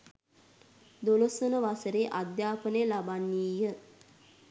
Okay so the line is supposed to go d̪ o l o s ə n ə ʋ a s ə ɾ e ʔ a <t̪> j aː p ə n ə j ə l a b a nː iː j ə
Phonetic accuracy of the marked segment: incorrect: d̪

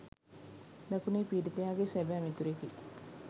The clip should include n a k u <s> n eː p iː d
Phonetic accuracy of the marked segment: incorrect: none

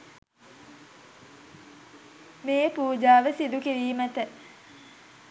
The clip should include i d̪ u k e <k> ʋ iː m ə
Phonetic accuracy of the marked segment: incorrect: none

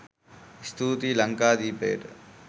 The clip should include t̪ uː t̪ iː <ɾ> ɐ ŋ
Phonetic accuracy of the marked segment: incorrect: l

